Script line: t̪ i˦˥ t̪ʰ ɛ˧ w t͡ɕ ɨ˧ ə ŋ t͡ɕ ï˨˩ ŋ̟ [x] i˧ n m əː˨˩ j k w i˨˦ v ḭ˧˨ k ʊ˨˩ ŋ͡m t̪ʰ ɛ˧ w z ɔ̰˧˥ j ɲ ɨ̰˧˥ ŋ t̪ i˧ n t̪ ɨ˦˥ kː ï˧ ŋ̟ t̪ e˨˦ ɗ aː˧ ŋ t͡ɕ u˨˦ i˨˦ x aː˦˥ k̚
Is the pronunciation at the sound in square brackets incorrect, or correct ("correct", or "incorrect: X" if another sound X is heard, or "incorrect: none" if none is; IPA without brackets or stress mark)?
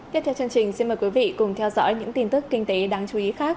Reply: incorrect: s